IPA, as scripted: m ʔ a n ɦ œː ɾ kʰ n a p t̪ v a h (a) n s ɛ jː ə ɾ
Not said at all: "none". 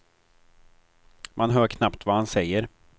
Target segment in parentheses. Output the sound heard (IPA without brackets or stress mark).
a